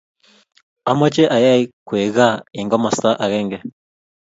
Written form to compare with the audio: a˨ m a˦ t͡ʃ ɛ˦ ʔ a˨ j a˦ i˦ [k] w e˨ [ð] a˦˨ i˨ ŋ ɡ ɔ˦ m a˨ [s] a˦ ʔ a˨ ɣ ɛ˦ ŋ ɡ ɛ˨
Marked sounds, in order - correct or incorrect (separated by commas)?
correct, incorrect, correct